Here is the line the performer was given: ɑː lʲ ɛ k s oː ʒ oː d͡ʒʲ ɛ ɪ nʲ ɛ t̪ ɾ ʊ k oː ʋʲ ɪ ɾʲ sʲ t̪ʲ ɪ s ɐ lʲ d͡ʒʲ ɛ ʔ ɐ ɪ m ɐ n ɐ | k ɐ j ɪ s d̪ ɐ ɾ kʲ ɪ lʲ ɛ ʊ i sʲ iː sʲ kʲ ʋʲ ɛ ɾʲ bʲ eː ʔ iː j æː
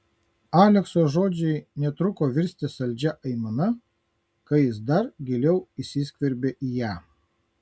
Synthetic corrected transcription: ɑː lʲ ɛ k s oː ʒ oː d͡ʒʲ ɛ ɪ nʲ ɛ t̪ ɾ ʊ k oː ʋʲ ɪ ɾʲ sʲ t̪ʲ ɪ s ɐ lʲ d͡ʒʲ ɛ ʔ ɐ ɪ m ɐ n ɐ | k ɐ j ɪ s d̪ ɐ ɾ ɡʲ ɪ lʲ ɛ ʊ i sʲ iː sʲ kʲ ʋʲ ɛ ɾʲ bʲ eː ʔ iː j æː